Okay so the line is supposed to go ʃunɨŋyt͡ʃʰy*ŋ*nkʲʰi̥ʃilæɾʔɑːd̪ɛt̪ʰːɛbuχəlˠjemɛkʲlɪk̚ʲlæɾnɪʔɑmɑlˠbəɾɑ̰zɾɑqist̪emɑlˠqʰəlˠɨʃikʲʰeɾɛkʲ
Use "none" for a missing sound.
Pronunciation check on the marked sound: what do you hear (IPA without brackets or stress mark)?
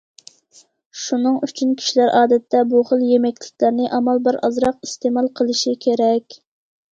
none